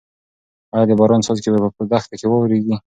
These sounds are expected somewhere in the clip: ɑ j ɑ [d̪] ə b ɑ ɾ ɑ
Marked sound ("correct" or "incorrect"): correct